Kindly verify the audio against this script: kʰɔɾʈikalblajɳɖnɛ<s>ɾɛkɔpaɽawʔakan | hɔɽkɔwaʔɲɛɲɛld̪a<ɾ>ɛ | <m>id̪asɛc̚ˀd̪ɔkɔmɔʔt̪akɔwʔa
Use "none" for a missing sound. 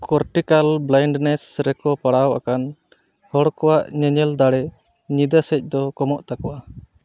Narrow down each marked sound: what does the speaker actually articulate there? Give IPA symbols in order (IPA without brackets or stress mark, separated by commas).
s, ɽ, ɲ